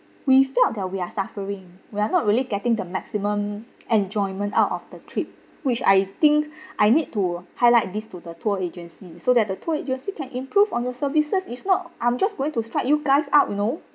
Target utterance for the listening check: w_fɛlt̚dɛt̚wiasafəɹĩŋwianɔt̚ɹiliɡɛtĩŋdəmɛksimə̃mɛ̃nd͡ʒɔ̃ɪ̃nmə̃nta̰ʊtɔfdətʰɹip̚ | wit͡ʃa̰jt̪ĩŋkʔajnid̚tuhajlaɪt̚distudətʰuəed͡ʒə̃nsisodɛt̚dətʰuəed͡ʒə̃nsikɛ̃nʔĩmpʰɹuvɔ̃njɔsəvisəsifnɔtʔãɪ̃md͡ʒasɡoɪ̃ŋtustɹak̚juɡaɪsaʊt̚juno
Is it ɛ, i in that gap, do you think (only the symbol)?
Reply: i